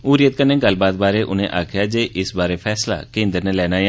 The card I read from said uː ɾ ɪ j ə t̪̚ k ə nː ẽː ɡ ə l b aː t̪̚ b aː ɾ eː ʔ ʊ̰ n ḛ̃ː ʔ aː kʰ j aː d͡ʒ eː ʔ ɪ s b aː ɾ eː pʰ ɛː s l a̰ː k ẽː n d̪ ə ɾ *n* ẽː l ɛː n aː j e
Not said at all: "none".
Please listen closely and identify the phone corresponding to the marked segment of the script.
n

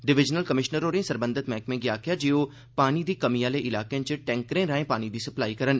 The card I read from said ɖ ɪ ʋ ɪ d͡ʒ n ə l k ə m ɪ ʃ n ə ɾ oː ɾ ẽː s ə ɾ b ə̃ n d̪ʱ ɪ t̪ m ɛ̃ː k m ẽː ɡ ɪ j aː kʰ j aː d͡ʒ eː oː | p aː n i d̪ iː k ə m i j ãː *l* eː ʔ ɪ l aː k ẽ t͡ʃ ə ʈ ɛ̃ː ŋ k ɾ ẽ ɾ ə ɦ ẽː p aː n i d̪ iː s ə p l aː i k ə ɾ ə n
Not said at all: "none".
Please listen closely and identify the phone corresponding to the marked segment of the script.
l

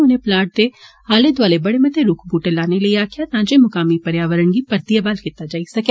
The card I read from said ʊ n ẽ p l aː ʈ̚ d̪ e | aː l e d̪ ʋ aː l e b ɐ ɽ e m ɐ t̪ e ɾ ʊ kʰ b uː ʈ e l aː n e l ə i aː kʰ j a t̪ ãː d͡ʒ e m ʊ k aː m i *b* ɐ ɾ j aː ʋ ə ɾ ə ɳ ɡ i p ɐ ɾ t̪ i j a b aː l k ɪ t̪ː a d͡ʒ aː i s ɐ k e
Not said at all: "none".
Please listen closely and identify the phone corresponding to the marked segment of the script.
p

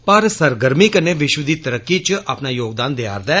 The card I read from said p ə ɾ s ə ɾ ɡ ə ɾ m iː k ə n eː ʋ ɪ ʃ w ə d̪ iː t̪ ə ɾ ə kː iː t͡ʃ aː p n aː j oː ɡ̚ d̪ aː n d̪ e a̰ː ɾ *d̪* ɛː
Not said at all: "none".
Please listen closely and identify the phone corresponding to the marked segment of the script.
d̪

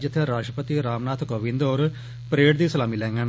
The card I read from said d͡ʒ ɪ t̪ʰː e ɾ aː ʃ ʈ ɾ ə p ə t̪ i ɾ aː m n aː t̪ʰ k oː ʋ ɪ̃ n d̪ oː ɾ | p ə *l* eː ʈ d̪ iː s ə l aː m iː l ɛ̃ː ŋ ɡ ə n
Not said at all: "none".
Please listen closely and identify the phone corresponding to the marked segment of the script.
ɾ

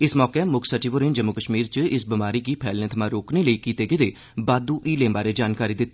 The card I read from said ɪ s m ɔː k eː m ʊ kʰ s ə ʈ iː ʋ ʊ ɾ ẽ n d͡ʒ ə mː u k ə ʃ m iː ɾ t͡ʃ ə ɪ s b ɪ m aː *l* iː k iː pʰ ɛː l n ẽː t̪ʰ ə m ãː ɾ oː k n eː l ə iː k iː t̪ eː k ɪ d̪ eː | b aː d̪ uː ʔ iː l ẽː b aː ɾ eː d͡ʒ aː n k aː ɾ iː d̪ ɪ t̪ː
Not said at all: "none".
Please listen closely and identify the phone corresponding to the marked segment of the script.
ɾ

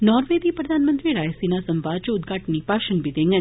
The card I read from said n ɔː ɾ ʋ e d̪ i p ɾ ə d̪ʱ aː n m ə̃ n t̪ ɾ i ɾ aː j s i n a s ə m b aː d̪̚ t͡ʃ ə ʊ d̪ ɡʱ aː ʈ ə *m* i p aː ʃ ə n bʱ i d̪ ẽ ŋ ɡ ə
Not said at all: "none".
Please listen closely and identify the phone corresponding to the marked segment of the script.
n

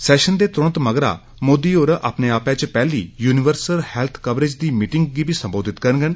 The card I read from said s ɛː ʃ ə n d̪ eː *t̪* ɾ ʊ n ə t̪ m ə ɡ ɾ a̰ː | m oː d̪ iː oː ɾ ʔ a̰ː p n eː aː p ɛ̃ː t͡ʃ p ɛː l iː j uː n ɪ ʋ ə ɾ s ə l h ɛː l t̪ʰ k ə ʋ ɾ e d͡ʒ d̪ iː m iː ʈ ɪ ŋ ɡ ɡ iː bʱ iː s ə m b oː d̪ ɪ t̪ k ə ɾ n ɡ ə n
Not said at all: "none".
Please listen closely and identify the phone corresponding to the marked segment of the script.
t̪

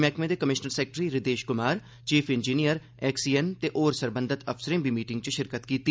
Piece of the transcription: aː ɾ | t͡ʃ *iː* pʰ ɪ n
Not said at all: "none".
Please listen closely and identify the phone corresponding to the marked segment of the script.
iː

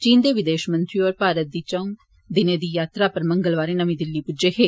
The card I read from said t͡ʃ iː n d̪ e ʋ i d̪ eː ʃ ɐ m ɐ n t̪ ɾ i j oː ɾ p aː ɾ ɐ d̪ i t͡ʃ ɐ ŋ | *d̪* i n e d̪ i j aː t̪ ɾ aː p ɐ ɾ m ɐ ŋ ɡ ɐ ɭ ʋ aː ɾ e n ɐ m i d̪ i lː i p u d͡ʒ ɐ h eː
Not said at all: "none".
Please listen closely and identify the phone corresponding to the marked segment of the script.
d̪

